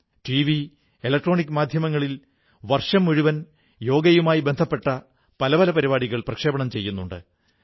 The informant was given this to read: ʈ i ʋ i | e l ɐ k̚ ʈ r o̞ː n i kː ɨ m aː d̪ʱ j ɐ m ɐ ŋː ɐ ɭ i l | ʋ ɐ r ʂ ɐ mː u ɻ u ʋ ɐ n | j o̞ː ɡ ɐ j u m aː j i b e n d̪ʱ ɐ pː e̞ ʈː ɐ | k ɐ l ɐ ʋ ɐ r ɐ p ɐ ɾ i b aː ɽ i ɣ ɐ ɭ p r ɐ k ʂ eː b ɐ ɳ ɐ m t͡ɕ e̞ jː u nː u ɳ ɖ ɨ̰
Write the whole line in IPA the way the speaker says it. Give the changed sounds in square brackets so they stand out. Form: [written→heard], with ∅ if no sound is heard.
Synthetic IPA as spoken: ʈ i ʋ i | e l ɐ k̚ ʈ r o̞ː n i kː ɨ m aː d̪ʱ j ɐ m ɐ ŋː ɐ ɭ i l | ʋ ɐ r ʂ ɐ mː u ɻ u ʋ ɐ n | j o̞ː ɡ ɐ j u m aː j i b e n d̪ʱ ɐ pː e̞ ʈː ɐ | [k→p] ɐ l ɐ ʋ ɐ [r→l] ɐ p ɐ ɾ i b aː ɽ i ɣ ɐ ɭ p r ɐ k ʂ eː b ɐ ɳ ɐ m t͡ɕ e̞ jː u nː u ɳ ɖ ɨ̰